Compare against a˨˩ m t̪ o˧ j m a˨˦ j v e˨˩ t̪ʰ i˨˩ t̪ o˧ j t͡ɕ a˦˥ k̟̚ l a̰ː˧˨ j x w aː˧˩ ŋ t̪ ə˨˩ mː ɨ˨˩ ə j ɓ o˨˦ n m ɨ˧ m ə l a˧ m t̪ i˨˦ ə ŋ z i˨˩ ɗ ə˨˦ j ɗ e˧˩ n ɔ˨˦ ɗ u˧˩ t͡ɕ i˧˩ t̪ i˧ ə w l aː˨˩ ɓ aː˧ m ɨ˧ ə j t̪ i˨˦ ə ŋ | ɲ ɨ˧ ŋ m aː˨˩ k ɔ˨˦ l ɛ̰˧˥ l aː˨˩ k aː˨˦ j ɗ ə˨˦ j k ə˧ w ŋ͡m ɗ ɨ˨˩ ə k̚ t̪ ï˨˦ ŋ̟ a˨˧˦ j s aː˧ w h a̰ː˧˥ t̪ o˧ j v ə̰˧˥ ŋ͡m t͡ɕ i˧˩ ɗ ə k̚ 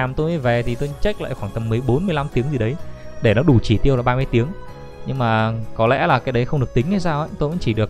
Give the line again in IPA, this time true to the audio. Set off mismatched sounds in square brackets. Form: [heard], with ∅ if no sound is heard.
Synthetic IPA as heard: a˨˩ m t̪ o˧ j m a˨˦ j v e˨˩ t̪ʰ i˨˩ t̪ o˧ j t͡ɕ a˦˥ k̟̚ l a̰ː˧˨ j x w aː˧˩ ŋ t̪ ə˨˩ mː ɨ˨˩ ə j ɓ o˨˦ n m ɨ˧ [∅] ə l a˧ m t̪ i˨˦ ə ŋ z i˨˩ ɗ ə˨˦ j ɗ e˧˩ n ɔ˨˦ ɗ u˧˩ t͡ɕ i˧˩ t̪ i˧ ə w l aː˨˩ ɓ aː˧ m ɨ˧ ə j t̪ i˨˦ ə ŋ | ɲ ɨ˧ ŋ m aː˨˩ k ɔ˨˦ l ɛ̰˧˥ l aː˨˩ k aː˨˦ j ɗ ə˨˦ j [x] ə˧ w ŋ͡m ɗ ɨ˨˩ ə k̚ t̪ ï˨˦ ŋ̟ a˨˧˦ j s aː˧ w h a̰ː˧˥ t̪ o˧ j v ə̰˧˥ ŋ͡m t͡ɕ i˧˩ ɗ ə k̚

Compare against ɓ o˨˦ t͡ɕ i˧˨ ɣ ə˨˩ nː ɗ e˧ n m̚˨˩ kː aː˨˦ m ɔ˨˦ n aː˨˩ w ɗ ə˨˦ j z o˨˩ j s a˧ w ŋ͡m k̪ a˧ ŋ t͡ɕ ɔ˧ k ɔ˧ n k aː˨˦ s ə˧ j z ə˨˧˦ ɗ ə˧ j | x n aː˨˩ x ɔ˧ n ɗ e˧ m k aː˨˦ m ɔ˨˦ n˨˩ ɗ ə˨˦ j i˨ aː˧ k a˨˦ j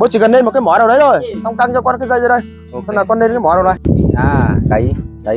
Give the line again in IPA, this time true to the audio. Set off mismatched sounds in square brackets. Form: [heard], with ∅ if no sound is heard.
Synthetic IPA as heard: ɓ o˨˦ t͡ɕ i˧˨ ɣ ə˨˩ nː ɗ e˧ n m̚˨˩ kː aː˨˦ m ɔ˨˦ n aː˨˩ w ɗ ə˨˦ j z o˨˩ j s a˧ w ŋ͡m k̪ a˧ ŋ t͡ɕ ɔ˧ k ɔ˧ n k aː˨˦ [z] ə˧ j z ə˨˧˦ ɗ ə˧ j | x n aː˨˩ [k] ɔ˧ n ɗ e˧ [n] k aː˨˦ m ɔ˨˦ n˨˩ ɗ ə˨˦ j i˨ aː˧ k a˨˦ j

